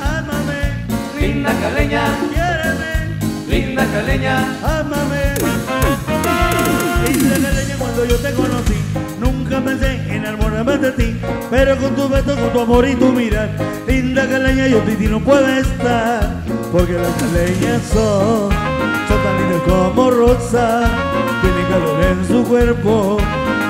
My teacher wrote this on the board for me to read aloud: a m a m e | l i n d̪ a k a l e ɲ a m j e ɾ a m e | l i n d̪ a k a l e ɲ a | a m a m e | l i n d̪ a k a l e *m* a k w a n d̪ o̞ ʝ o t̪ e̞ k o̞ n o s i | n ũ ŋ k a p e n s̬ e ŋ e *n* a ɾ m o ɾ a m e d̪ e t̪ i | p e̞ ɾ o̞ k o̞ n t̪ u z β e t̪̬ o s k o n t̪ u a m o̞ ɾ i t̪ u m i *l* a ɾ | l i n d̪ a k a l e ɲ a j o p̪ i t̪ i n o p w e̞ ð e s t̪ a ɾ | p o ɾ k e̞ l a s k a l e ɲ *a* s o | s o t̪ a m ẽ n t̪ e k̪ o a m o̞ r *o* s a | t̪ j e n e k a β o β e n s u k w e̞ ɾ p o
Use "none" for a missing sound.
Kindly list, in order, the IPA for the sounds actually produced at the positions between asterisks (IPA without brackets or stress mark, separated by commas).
ɲ, n, ɾ, a, o